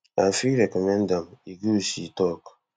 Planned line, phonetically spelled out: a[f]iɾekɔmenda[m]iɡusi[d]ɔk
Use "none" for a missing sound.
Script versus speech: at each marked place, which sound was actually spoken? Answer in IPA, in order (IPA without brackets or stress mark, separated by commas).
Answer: f, m, t